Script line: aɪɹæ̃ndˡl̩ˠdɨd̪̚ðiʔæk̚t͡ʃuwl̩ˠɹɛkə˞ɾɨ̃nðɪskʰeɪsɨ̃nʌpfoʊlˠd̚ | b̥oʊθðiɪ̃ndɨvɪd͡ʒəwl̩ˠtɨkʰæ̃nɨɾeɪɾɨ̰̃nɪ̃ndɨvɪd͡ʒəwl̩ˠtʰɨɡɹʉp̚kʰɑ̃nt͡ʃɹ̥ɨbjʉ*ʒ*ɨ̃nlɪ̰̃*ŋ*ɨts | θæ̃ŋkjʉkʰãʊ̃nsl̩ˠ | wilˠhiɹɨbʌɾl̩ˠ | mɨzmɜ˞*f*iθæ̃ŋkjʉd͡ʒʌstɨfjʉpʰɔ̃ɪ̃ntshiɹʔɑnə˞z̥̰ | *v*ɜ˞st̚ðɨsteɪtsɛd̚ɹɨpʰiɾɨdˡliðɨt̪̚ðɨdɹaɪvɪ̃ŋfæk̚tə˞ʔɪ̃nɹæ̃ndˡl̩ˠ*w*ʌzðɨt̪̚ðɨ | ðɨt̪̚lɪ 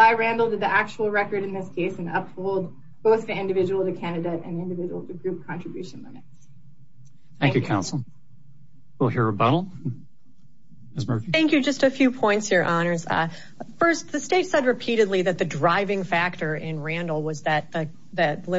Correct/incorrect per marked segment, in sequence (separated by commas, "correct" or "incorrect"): incorrect, incorrect, correct, incorrect, correct